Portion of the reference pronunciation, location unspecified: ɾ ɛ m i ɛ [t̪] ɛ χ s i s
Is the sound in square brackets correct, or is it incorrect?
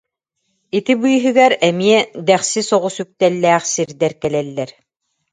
incorrect